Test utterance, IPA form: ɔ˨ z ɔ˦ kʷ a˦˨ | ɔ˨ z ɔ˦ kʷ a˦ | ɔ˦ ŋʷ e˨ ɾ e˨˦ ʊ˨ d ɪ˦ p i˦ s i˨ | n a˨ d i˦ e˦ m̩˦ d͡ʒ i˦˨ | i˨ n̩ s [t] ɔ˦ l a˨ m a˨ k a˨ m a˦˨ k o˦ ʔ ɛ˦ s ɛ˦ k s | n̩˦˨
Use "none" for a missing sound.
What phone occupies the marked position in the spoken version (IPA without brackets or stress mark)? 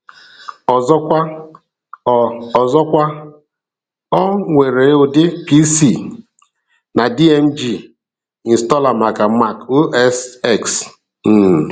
t